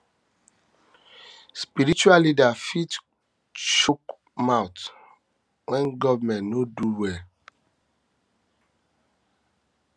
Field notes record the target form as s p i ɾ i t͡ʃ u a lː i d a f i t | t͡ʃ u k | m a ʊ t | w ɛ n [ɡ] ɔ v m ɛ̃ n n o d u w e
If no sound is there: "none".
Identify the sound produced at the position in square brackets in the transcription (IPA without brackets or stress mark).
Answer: ɡ